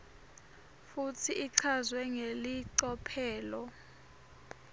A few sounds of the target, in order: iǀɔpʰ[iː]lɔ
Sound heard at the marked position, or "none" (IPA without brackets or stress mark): ɛː